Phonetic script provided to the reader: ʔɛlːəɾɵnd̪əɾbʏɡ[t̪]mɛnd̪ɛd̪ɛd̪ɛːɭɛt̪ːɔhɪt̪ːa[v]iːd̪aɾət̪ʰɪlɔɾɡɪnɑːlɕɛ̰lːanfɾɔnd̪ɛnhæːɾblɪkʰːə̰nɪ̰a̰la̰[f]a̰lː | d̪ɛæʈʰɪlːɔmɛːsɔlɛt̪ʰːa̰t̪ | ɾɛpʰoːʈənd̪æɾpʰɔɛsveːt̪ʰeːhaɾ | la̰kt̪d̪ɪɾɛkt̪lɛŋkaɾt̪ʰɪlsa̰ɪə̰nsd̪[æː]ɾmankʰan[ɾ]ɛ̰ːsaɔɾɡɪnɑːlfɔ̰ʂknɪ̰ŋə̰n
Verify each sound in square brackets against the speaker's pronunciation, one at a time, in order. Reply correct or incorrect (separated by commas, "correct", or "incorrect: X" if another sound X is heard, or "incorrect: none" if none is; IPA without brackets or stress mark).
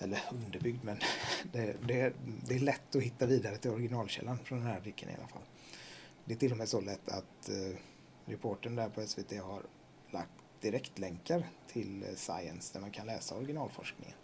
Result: incorrect: d̪, correct, correct, incorrect: æ, incorrect: l